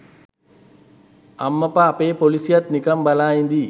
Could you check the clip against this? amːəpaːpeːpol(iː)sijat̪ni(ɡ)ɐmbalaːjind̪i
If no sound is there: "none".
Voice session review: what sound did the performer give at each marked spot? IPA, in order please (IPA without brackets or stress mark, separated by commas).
i, k